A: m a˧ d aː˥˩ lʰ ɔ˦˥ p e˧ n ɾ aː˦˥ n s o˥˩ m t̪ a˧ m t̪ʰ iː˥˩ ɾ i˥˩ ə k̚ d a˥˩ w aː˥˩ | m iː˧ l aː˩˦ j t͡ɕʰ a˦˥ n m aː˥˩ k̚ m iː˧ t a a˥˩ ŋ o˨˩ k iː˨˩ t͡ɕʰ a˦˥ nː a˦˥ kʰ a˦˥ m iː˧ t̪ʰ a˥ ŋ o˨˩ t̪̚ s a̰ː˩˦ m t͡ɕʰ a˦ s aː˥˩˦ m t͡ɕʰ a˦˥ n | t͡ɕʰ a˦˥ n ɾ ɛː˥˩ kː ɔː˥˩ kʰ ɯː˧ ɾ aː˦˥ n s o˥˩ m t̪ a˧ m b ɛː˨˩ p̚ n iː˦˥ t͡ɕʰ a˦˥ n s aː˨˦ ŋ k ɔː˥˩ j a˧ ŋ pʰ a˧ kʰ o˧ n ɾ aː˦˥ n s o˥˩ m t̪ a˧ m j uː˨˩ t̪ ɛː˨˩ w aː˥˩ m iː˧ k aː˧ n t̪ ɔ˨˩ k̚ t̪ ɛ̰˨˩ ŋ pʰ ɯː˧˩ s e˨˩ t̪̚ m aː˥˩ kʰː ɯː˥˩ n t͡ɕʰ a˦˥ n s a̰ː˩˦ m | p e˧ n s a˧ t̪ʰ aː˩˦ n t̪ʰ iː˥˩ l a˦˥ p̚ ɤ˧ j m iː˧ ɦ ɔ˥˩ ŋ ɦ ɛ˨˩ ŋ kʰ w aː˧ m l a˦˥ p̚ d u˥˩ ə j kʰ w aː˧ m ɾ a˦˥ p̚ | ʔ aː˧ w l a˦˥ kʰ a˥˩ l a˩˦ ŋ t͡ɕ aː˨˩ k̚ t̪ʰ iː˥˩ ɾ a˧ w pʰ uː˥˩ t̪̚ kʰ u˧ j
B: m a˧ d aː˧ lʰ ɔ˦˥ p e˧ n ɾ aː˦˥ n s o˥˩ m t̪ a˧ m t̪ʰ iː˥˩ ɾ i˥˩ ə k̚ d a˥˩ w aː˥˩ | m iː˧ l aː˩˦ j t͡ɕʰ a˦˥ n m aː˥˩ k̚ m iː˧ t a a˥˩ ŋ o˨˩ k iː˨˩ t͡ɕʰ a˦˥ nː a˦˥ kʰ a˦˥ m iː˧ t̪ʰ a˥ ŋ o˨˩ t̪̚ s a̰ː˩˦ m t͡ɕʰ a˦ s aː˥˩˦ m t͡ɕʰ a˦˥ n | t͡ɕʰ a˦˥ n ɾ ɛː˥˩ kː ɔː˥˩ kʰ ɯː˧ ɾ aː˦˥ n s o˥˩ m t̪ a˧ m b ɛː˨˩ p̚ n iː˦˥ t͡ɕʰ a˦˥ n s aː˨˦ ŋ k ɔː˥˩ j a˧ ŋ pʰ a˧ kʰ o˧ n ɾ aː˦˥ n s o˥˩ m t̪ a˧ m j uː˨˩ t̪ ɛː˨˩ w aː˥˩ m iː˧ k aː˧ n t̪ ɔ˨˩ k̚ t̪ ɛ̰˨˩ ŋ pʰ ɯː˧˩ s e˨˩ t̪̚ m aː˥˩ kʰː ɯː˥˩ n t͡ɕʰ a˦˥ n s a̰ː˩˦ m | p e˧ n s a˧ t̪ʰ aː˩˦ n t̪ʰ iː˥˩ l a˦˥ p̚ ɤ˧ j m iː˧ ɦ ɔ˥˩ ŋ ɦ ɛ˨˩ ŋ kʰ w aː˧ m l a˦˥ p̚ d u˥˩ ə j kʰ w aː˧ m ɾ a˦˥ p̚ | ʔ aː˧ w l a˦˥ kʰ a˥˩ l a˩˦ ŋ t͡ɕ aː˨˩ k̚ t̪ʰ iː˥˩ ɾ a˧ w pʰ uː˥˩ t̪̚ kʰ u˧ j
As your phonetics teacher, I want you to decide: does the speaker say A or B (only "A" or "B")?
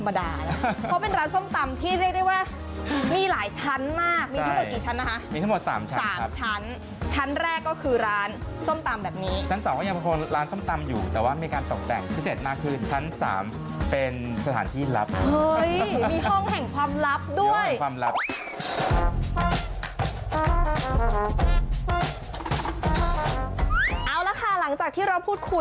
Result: B